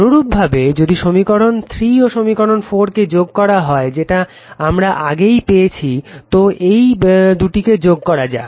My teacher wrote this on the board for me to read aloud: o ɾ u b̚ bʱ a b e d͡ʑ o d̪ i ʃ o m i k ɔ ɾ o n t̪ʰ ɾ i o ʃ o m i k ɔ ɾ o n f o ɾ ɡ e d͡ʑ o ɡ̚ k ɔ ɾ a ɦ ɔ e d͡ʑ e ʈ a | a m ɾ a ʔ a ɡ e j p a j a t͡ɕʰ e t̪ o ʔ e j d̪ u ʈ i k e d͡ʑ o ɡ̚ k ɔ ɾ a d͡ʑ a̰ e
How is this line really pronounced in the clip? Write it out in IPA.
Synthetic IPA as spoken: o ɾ u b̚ bʱ a b e d͡ʑ o d̪ i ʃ o m i k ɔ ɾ o n t̪ʰ ɾ i o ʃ o m i k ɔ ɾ o n f o ɾ k e d͡ʑ o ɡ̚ k ɔ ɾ a ɦ ɔ e d͡ʑ e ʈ a | a m ɾ a ʔ a ɡ e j p e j e t͡ɕʰ i t̪ o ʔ e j d̪ u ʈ i k e d͡ʑ o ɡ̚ k ɔ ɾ a d͡ʑ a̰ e